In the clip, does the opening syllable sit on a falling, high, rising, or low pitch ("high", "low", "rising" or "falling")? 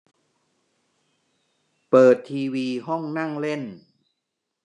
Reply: low